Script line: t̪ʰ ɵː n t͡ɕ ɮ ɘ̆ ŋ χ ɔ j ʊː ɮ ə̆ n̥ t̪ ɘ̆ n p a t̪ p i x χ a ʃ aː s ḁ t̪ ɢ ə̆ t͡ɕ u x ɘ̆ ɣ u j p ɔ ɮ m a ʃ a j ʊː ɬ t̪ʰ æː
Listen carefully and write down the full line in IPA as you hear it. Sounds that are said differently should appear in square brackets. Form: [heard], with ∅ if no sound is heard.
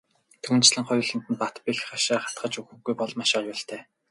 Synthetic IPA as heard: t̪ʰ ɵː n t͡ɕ ɮ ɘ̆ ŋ χ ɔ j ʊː ɮ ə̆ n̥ t̪ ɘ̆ n p a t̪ p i x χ a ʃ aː [χ] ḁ t̪ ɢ ə̆ t͡ɕ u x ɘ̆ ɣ u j p ɔ ɮ m a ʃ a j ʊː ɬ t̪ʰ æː